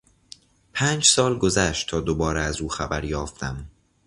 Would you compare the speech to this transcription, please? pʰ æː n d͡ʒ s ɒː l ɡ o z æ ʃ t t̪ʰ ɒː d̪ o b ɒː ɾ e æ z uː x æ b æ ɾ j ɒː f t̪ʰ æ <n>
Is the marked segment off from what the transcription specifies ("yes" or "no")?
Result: yes